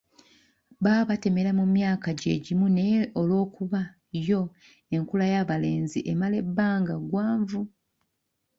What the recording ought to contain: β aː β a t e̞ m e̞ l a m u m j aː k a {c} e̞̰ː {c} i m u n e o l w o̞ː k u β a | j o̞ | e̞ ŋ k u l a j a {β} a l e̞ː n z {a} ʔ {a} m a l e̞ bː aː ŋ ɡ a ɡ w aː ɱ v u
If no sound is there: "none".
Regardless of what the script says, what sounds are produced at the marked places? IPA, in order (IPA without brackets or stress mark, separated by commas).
ɟ, ɟ, β, i, e